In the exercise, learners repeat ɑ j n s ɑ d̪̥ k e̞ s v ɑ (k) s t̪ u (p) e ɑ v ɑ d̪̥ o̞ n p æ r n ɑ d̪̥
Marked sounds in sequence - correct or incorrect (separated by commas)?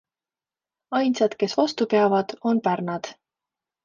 incorrect, correct